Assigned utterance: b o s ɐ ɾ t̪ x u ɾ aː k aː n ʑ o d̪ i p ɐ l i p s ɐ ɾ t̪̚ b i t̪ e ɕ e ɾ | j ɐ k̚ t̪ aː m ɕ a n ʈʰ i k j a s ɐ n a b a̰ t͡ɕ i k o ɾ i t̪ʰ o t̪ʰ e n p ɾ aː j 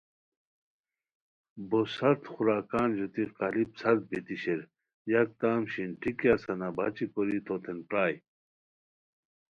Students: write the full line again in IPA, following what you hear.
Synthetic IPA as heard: b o s ɐ ɾ t̪ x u ɾ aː k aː n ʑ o t̪ i q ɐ l i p s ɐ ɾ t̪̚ b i t̪ i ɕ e ɾ | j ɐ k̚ t̪ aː m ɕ i n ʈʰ i k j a s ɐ n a b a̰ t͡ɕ i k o ɾ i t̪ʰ o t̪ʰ e n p ɾ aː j